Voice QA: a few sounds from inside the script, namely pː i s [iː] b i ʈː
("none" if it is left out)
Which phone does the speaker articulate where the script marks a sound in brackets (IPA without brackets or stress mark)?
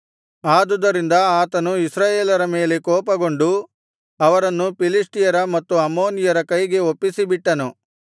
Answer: i